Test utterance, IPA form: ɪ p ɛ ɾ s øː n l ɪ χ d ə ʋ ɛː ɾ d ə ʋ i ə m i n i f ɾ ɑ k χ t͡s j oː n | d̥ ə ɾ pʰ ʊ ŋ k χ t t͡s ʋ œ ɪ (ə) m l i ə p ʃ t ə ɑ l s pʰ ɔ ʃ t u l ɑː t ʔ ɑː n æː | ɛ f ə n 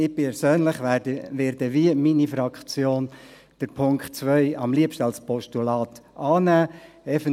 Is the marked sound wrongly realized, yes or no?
yes